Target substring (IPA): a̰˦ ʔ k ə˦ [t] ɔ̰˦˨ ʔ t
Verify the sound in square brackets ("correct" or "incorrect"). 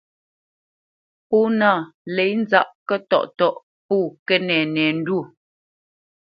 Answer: correct